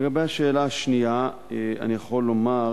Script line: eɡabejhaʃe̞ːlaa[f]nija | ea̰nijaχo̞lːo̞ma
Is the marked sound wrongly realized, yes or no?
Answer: yes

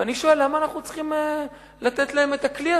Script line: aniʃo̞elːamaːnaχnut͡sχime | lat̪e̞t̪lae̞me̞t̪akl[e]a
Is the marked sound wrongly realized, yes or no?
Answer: yes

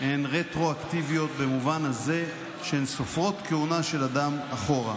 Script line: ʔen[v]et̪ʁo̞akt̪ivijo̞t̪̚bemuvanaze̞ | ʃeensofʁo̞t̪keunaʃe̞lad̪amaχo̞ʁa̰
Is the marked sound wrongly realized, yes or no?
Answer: yes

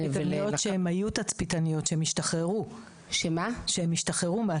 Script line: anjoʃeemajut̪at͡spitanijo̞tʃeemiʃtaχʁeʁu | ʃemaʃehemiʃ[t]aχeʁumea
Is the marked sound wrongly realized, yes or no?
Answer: no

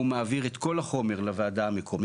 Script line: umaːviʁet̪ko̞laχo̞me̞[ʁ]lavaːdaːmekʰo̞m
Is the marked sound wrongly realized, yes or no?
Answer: no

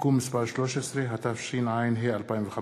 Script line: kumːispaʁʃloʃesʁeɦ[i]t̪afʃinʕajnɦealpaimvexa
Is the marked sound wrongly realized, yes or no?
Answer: yes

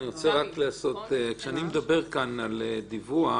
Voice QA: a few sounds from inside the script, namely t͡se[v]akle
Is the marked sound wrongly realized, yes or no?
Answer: yes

